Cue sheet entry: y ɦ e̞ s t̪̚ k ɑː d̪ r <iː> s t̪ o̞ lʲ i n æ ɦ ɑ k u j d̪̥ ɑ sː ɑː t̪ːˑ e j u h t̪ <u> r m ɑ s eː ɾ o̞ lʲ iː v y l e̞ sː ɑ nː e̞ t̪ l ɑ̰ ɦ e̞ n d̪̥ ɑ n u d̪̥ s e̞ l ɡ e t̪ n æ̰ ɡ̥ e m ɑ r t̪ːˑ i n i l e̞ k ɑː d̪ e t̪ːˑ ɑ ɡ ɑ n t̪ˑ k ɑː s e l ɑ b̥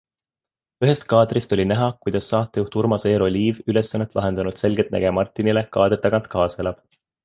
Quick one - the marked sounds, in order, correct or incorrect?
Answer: incorrect, correct

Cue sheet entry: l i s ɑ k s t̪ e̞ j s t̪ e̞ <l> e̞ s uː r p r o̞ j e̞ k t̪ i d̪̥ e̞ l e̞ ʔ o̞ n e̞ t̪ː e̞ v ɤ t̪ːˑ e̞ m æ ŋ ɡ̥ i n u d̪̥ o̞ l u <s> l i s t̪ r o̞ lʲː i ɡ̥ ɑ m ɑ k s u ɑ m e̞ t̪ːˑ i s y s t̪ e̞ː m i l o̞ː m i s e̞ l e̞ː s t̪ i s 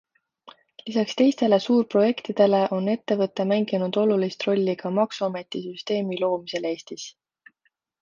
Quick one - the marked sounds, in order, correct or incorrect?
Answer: correct, incorrect

